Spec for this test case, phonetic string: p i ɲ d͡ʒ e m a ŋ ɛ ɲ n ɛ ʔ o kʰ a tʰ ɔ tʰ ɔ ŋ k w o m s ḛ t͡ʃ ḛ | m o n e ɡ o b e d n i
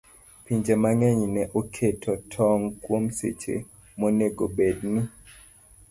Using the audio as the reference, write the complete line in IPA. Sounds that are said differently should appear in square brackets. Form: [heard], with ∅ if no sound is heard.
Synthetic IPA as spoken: p i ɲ d͡ʒ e m a ŋ ɛ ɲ n ɛ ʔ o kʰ [e] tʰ ɔ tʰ ɔ ŋ k w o m s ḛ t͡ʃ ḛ | m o n e ɡ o b e d n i

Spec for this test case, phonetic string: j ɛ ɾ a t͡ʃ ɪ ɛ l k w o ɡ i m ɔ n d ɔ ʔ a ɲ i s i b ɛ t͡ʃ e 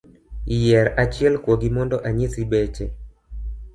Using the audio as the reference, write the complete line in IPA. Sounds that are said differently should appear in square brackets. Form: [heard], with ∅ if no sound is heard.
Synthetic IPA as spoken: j ɛ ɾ a t͡ʃ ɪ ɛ l k w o ɡ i m ɔ n d ɔ ʔ a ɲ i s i b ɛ t͡ʃ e

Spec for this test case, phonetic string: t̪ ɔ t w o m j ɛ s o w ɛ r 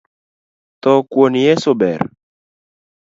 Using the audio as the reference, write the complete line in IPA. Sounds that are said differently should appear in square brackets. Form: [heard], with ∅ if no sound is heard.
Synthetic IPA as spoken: t̪ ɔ [k] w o [n] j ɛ s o [b] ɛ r

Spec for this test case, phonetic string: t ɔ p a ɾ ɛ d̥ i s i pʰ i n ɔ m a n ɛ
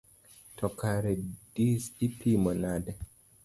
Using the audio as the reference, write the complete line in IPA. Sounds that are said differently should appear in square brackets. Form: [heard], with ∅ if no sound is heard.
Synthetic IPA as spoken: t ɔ [k] a ɾ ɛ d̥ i s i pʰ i [m] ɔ [n] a [d] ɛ

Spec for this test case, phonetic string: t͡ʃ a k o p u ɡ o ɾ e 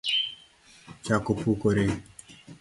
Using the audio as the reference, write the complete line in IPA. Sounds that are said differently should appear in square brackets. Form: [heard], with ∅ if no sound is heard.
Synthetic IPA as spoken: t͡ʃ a k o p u [k] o ɾ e

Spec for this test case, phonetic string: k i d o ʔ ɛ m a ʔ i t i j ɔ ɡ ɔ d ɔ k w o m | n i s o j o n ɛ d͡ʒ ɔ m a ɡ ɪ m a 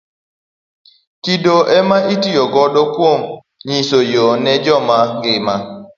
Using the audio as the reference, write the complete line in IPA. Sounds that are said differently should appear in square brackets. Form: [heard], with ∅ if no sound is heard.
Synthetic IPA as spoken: k i d o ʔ ɛ m a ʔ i t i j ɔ ɡ ɔ d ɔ k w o m | [ɲ] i s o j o n ɛ d͡ʒ ɔ m a ɡ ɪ m a

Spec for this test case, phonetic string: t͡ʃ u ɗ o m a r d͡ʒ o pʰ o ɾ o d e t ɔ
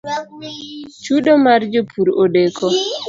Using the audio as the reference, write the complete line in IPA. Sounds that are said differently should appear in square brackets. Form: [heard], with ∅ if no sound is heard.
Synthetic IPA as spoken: t͡ʃ u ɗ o m a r d͡ʒ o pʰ [u] ɾ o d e [k] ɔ

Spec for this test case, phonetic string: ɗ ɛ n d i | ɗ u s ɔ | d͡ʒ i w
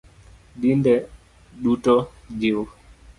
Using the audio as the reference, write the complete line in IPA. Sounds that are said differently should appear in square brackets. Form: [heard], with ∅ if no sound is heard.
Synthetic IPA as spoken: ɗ [i] n d [ɛ] | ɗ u [t] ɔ | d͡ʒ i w

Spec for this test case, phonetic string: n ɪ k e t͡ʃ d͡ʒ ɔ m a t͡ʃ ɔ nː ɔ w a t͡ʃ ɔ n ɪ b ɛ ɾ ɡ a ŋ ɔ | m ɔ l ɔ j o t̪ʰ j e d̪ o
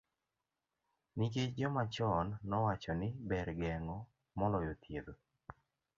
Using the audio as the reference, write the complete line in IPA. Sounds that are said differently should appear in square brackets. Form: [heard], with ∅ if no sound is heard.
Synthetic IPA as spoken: n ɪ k e t͡ʃ d͡ʒ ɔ m a t͡ʃ ɔ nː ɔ w a t͡ʃ ɔ n ɪ b ɛ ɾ ɡ [ɛ] ŋ ɔ | m ɔ l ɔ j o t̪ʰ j e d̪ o

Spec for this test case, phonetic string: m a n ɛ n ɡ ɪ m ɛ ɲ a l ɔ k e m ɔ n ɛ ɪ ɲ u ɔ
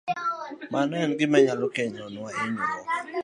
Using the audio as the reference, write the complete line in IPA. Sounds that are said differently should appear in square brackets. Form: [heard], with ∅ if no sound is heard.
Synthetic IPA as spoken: m a n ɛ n ɡ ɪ m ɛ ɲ a l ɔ k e [ɲ] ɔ n [a] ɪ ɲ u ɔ

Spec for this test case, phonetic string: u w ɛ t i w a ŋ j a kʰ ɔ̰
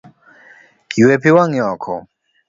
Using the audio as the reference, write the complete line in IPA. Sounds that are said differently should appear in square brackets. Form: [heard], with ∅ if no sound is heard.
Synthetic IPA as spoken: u w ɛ [p] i w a ŋ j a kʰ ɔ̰

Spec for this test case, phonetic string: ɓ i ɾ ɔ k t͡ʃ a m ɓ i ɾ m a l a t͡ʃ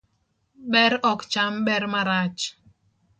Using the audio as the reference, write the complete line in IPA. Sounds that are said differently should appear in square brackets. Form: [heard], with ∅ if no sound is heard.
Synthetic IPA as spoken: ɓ [ɛ] ɾ ɔ k t͡ʃ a m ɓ [ɛ] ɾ m a [ɾ] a t͡ʃ

